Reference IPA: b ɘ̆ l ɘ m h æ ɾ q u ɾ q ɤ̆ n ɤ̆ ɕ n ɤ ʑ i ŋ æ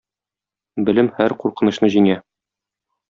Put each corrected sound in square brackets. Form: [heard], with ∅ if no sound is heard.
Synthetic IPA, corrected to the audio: b ɘ̆ l ɘ m h æ ɾ q u ɾ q ɤ̆ n ɤ̆ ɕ n ɤ ʑ i ŋ æ